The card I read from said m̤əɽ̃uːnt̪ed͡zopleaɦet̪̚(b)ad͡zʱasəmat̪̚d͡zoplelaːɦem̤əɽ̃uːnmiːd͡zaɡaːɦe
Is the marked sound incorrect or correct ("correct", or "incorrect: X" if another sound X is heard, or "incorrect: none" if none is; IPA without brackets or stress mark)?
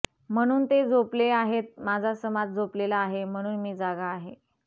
incorrect: m